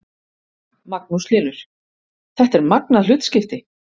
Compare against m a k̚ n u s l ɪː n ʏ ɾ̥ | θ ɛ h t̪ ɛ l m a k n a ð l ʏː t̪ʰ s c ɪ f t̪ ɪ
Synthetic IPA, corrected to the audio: m a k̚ n u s l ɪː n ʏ ɾ̥ | θ ɛ h t̪ ɛ ɾ m a k n a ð l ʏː t̪ s c ɪ f t̪ ɪ